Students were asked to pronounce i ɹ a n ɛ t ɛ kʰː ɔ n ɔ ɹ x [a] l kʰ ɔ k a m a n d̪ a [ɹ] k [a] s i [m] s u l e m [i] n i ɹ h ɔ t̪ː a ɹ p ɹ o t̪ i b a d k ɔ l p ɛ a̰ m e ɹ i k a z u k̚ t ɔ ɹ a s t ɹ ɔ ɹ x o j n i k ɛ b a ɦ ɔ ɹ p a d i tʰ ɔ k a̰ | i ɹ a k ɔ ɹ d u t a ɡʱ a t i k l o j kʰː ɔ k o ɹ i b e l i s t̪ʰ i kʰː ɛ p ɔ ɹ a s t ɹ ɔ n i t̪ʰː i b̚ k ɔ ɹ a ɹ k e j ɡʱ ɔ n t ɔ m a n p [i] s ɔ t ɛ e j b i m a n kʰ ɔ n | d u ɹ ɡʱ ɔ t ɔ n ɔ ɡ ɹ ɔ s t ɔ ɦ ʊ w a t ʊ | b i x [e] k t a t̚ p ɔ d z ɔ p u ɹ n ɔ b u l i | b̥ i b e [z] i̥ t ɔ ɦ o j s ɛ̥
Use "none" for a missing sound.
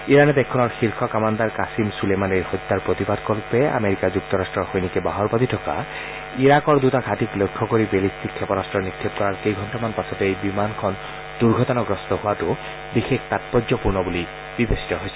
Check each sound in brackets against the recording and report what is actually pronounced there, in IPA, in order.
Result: i, ɹ, a, m, a, a, e, s

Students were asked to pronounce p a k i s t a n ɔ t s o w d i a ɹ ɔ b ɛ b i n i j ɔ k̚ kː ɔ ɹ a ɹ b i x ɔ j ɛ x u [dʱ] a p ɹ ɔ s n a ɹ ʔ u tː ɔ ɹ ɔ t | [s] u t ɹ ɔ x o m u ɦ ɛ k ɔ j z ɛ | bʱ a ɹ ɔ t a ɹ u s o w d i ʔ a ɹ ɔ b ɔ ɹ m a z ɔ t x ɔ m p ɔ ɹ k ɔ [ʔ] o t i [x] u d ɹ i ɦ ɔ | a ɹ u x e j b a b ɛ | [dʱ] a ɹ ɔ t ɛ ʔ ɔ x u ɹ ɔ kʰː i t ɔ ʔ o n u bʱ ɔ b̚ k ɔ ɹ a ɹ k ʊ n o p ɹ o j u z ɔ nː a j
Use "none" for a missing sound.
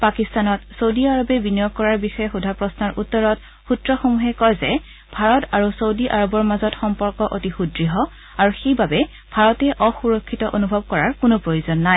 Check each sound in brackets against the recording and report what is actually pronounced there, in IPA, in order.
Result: dʱ, x, ʔ, x, bʱ

